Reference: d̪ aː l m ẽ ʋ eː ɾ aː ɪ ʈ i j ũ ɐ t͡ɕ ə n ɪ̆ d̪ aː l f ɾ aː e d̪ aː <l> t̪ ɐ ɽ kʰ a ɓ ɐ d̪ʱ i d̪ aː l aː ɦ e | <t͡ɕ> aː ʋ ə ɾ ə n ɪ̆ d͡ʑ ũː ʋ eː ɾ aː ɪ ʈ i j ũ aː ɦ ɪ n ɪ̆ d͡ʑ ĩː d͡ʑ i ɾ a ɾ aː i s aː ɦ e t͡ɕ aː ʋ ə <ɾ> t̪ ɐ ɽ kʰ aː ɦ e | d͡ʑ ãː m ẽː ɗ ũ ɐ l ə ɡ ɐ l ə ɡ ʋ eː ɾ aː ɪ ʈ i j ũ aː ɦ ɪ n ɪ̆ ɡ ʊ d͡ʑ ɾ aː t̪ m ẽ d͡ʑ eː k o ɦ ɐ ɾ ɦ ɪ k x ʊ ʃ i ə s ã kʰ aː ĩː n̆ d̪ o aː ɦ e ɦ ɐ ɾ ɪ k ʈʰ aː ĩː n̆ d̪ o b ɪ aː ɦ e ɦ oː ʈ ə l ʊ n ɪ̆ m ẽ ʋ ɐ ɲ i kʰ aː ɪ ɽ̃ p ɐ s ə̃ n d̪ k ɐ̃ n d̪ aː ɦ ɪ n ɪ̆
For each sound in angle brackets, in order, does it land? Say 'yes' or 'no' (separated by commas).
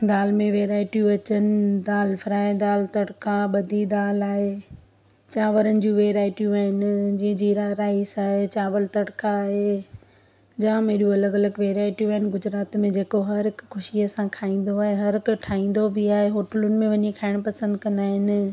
yes, yes, no